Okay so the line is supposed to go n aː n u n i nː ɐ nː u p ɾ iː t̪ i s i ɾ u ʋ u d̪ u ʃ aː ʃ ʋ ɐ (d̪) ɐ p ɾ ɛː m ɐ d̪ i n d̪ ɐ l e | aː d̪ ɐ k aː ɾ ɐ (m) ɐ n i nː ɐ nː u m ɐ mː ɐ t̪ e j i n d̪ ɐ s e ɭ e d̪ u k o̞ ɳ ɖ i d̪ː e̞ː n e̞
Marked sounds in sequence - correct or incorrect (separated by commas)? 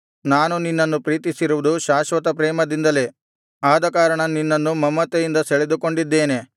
incorrect, incorrect